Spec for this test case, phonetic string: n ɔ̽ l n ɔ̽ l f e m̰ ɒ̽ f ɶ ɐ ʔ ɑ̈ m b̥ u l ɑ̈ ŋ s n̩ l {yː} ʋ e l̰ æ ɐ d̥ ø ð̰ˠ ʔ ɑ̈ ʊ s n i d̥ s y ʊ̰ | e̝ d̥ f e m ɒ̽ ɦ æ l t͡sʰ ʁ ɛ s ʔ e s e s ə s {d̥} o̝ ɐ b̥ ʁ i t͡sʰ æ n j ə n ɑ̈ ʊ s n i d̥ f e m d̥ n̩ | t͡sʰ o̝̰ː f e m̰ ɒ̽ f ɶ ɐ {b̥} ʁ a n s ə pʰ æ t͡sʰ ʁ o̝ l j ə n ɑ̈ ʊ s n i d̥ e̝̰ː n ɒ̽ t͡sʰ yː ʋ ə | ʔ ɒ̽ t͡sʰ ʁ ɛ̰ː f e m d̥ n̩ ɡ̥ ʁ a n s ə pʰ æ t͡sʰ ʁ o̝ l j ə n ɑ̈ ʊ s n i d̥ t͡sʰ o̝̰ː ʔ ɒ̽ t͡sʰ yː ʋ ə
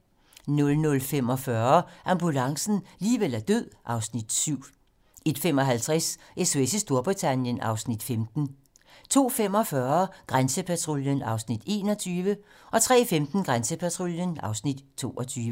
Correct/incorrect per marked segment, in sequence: incorrect, correct, incorrect

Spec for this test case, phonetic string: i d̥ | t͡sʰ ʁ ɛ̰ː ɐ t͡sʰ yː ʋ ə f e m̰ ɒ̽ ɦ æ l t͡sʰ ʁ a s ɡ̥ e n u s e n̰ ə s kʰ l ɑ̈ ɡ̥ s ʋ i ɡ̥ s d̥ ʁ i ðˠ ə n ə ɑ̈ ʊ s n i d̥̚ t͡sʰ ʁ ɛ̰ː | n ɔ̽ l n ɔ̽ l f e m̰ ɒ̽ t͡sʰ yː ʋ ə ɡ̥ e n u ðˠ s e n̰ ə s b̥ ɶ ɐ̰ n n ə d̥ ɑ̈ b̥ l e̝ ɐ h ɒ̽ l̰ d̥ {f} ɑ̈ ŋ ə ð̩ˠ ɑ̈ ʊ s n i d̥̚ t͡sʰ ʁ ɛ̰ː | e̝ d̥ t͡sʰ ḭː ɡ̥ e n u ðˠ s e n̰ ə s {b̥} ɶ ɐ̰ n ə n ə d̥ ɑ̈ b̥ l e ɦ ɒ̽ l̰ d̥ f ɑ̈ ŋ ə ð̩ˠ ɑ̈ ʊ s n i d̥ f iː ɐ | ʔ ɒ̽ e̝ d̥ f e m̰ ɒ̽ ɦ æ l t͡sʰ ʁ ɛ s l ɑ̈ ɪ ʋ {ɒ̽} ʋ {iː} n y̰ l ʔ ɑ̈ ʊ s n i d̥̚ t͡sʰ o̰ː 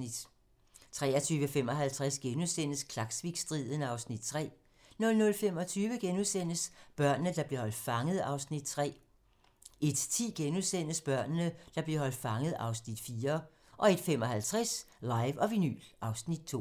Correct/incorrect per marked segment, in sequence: correct, correct, correct, incorrect

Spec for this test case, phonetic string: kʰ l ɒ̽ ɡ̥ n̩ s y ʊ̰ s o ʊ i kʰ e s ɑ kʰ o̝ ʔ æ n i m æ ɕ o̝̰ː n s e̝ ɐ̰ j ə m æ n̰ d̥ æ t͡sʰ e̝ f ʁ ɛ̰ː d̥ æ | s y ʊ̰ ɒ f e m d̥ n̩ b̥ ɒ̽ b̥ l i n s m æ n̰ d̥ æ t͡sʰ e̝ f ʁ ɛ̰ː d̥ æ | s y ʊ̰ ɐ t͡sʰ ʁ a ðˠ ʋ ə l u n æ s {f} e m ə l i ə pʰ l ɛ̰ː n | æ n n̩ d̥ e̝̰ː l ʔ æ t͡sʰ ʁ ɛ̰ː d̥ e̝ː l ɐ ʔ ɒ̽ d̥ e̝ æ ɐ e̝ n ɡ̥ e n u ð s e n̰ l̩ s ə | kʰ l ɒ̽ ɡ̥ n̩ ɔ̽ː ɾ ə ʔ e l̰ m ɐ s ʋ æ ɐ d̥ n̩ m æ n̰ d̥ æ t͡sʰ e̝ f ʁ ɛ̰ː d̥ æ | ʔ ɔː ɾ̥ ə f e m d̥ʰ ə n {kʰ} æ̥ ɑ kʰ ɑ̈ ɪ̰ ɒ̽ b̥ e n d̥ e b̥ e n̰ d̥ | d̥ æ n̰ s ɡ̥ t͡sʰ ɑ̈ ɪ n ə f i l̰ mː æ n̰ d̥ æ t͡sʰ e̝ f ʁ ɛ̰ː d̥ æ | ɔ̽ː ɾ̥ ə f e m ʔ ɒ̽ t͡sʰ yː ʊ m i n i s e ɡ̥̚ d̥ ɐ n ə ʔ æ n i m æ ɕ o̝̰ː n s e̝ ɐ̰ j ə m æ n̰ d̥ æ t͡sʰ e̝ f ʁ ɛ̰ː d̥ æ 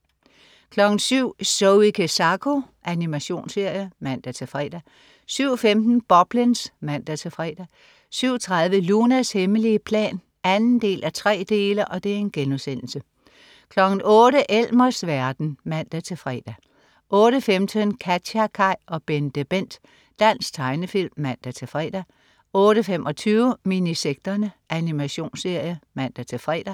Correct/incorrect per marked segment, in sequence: incorrect, correct

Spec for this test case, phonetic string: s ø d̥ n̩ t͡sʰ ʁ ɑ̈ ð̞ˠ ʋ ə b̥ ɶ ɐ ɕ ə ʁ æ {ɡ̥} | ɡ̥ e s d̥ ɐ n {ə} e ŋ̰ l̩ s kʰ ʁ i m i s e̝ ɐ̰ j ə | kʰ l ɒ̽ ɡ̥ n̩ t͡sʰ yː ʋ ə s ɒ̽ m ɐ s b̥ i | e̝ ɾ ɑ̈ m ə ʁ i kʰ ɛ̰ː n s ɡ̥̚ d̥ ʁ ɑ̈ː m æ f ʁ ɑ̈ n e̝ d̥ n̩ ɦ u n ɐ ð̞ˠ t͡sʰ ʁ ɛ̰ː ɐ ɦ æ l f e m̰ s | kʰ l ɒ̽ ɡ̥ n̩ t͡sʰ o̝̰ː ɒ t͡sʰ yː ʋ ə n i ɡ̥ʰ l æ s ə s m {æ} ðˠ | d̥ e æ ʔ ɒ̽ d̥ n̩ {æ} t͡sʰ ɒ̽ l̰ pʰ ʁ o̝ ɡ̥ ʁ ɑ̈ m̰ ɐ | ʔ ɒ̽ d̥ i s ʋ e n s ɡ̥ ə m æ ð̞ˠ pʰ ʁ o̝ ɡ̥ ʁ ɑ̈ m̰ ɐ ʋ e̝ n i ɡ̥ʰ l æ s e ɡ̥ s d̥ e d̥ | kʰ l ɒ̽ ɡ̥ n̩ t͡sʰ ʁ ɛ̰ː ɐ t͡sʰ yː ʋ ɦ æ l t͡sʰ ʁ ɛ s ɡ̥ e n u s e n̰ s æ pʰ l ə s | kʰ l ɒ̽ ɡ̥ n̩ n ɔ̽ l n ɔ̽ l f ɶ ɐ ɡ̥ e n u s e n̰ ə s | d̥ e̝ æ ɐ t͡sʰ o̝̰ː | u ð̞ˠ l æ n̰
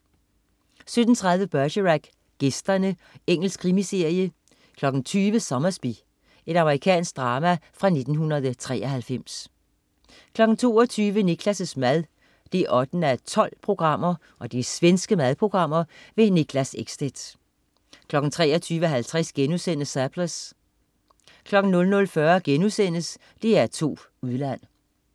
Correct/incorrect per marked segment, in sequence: correct, correct, correct, correct

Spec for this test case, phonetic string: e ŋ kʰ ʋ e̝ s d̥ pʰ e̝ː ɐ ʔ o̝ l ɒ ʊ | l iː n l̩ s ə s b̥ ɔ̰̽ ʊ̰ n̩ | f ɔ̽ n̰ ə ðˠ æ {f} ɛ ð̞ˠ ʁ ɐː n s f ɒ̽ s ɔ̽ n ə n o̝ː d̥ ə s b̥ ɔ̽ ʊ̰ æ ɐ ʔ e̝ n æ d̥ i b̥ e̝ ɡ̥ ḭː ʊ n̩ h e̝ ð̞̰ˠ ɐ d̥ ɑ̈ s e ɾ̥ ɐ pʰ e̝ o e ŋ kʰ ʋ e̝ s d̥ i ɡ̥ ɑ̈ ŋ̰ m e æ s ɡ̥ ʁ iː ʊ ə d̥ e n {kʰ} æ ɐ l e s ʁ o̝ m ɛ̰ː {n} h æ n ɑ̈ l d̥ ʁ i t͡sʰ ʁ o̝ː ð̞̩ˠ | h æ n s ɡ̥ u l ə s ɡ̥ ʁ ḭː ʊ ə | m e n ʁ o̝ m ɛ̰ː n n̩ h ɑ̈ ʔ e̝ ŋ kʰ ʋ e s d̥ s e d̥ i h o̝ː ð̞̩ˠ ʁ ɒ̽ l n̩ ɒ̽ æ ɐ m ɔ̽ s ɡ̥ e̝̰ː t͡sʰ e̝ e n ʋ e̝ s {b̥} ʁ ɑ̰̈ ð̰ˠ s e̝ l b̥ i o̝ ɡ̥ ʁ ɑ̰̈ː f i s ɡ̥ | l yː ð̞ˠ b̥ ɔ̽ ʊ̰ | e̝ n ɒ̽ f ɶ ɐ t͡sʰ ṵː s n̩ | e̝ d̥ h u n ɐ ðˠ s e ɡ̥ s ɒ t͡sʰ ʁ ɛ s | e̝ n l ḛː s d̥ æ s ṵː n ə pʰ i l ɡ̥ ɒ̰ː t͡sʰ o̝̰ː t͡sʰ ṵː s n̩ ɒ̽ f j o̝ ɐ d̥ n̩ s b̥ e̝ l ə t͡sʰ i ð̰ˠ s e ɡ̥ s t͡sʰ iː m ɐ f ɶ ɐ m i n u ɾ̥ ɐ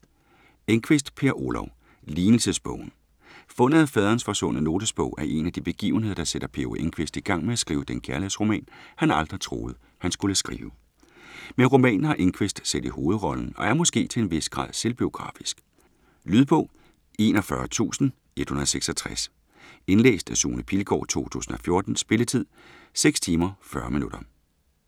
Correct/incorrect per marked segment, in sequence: correct, correct, correct, incorrect

